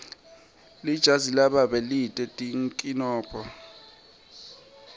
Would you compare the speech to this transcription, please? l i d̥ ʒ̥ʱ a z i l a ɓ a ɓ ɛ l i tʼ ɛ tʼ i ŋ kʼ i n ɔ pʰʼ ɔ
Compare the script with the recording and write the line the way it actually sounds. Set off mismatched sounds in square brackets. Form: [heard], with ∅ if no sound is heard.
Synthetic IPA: l i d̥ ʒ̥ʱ a z i l a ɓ a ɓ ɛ l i tʼ ɛ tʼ i ŋ kʼ i n [ɔː] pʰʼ ɔ